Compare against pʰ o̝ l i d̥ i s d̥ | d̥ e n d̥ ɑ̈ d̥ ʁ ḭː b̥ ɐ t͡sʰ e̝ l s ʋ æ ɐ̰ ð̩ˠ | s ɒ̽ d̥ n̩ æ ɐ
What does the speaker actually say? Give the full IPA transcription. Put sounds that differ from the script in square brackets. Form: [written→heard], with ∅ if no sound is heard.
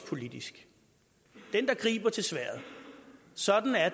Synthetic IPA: pʰ o̝ l i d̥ i s [d̥→ɡ̥] | d̥ e n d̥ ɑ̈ [d̥→ɡ̥] ʁ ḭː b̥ ɐ t͡sʰ e̝ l s ʋ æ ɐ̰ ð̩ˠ | s ɒ̽ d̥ n̩ æ ɐ